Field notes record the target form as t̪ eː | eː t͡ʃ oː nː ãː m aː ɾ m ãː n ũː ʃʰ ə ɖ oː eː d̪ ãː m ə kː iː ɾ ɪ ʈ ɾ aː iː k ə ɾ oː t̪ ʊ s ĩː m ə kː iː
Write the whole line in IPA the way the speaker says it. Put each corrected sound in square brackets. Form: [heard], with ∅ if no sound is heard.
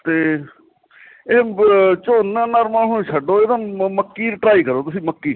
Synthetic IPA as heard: t̪ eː | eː t͡ʃ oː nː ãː [n] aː ɾ m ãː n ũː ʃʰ ə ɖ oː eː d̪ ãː m ə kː iː ɾ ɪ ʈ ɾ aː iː k ə ɾ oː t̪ ʊ s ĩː m ə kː iː